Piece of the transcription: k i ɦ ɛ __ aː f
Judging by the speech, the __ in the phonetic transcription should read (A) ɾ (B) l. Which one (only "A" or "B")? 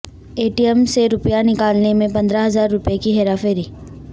A